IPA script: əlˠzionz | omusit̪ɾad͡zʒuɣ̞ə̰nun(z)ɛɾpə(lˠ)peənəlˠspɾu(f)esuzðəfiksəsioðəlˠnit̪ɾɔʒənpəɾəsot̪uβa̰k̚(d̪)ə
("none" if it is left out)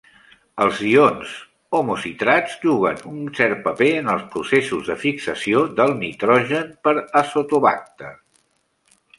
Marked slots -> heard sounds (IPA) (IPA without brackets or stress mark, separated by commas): s, none, s, t̪